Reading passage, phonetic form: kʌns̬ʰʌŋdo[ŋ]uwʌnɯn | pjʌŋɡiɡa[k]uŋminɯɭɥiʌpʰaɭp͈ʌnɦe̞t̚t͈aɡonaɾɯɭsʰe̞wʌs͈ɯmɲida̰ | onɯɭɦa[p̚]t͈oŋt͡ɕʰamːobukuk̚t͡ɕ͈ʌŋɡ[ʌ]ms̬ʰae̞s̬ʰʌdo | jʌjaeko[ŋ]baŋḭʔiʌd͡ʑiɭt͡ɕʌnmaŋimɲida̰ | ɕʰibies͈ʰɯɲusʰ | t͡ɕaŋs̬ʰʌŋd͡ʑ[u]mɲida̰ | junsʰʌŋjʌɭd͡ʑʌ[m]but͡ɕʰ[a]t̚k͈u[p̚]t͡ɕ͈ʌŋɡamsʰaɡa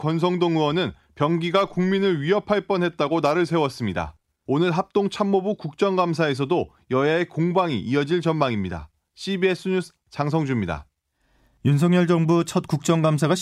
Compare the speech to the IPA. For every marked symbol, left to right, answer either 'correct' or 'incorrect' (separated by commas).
correct, correct, correct, incorrect, correct, correct, incorrect, incorrect, incorrect